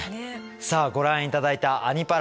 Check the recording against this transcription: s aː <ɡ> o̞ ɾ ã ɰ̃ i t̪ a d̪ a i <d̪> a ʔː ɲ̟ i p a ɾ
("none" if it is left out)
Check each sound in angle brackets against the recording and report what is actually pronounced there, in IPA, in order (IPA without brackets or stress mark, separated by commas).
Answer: ɡ, t̪